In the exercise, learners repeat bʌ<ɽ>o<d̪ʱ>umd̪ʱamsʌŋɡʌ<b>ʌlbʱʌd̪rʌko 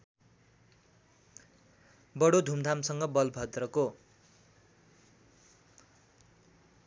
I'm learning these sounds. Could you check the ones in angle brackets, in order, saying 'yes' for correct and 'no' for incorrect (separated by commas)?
yes, yes, yes